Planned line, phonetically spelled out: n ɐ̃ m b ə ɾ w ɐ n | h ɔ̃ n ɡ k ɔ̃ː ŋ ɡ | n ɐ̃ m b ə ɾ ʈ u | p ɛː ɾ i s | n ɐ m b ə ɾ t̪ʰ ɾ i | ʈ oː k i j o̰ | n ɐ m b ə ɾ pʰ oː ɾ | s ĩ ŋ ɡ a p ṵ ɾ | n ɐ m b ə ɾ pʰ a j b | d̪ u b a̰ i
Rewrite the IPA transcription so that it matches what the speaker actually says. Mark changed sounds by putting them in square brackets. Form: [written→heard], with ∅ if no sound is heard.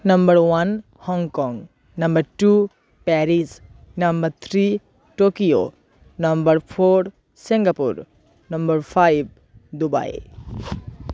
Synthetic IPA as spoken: n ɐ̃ m b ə ɾ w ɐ n | h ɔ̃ [n→ŋ] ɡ k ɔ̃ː ŋ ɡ | n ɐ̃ m b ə ɾ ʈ u | p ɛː ɾ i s | n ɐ m b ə ɾ t̪ʰ ɾ i | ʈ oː k i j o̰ | n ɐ m b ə ɾ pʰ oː ɾ | s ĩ ŋ ɡ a p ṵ ɾ | n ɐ m b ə ɾ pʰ a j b | d̪ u b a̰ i